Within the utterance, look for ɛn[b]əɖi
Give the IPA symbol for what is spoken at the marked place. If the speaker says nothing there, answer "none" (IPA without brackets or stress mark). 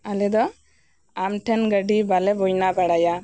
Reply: ɡ